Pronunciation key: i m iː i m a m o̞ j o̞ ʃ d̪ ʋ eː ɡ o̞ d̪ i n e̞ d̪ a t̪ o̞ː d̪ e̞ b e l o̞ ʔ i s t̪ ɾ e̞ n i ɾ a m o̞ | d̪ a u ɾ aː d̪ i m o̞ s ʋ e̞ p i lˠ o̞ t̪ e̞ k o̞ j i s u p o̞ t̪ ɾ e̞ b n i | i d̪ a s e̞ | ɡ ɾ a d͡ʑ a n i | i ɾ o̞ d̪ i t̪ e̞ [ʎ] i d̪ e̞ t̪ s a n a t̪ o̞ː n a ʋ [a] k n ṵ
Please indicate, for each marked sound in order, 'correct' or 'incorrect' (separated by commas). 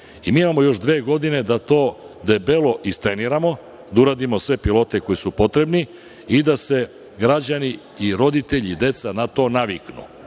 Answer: correct, incorrect